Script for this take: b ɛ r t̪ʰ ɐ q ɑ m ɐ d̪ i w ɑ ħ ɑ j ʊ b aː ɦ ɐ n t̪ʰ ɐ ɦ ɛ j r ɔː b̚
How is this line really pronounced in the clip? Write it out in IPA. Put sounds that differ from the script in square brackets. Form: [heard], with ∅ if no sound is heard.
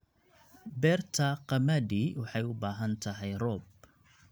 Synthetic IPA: b ɛ r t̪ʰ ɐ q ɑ m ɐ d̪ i w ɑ ħ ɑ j ʊ b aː ɦ ɐ n t̪ʰ ɐ ɦ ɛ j r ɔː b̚